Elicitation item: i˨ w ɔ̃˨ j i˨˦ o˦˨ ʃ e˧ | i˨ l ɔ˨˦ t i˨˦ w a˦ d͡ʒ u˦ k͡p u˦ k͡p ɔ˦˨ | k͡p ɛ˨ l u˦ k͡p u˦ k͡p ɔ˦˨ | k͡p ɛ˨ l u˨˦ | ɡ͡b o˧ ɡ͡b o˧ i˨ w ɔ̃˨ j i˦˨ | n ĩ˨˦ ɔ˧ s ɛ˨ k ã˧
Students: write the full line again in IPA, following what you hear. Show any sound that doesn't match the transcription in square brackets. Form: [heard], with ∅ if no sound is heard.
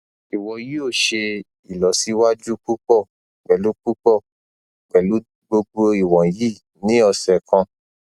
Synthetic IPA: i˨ w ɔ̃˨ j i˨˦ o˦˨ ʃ e˧ | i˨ l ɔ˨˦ [s] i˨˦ w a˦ d͡ʒ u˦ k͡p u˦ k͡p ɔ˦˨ | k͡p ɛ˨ l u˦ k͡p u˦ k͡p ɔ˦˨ | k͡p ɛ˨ l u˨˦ | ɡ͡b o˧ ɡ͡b o˧ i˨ w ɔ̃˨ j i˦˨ | n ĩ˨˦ ɔ˧ s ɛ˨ k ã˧